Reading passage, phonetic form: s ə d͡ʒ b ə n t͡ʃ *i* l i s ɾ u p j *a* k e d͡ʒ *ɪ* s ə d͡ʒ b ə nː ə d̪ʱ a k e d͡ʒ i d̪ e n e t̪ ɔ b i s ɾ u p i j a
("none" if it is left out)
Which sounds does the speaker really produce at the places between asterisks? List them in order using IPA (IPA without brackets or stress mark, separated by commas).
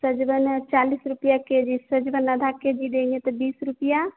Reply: a, a, i